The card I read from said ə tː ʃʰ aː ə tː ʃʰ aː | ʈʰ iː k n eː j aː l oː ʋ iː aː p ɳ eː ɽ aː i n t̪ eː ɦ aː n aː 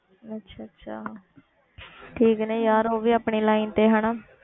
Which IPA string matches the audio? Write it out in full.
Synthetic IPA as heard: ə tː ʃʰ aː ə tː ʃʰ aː | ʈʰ iː k n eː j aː ɾ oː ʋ iː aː p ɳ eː l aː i n t̪ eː ɦ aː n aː